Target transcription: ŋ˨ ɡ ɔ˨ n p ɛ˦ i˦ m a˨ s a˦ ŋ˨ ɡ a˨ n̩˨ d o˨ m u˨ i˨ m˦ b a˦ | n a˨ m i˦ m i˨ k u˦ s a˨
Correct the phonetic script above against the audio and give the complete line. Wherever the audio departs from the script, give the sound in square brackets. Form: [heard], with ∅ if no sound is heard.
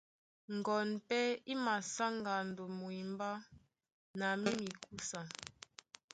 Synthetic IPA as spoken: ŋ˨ ɡ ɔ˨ n p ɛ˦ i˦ m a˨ s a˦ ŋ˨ ɡ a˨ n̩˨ d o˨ m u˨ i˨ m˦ b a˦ | n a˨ m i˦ m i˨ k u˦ s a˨